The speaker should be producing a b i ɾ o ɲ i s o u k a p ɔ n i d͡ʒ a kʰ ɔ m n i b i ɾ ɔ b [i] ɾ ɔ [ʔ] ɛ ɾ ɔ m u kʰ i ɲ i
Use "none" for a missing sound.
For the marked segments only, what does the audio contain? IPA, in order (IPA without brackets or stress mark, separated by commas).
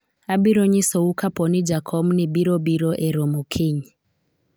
i, ʔ